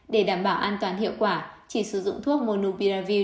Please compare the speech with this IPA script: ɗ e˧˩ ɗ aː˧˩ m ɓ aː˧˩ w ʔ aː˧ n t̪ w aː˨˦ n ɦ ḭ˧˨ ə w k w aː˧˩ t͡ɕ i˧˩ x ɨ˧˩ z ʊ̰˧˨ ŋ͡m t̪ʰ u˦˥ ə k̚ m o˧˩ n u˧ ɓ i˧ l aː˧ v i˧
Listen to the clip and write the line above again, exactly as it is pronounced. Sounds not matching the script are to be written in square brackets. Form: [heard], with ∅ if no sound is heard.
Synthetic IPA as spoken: ɗ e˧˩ ɗ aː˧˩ m ɓ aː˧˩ w ʔ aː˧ n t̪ w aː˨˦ n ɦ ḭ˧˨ ə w k w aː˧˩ t͡ɕ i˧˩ [s] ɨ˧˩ z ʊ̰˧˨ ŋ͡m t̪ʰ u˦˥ ə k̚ m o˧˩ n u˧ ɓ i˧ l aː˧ v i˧